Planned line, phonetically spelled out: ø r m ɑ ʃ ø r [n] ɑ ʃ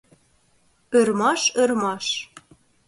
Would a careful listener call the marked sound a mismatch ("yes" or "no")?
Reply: yes